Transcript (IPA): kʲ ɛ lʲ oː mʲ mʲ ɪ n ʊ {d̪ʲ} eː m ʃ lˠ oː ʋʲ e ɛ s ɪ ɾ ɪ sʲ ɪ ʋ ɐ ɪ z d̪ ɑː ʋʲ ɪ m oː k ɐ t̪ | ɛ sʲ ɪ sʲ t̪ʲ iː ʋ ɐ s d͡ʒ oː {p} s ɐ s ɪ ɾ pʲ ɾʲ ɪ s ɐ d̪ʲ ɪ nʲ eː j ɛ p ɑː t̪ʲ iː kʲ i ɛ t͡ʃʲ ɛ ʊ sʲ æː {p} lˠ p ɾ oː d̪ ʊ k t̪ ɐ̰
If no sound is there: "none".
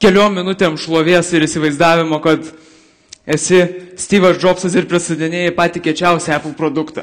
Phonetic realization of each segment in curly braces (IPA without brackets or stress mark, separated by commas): t̪ʲ, p, p